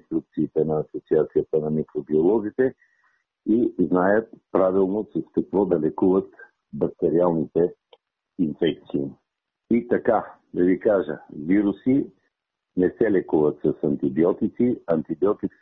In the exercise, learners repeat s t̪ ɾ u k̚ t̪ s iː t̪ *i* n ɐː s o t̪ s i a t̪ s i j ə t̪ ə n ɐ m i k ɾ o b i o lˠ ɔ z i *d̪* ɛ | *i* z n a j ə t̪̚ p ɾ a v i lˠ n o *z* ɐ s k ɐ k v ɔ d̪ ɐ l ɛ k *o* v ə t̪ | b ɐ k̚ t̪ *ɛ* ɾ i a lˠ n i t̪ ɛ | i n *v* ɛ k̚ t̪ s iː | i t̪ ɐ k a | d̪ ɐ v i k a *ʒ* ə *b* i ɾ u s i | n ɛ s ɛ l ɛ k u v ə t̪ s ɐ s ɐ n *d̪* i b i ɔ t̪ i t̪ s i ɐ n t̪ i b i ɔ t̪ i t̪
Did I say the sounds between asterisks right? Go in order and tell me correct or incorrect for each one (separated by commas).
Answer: incorrect, incorrect, correct, incorrect, incorrect, correct, incorrect, correct, incorrect, incorrect